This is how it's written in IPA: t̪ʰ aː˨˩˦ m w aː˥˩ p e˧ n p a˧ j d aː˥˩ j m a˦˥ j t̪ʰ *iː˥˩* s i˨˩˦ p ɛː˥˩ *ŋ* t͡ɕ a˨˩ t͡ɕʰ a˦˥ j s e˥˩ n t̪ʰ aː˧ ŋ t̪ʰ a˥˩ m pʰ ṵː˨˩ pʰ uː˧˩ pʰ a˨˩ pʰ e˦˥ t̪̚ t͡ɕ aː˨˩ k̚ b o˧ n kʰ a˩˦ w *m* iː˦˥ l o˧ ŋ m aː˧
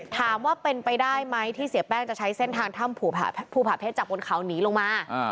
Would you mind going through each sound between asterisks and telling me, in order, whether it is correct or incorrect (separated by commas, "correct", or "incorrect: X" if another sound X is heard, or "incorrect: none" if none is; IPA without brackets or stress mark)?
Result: correct, correct, incorrect: n